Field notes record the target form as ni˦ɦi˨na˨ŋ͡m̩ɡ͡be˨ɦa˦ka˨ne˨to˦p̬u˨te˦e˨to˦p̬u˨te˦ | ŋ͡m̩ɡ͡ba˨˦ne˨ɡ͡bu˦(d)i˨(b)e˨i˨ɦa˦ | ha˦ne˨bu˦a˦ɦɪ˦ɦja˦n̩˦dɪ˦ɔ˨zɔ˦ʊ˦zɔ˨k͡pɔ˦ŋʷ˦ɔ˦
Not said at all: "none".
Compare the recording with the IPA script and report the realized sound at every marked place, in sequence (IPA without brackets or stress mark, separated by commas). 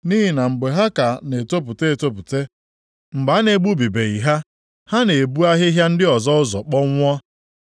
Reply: b, b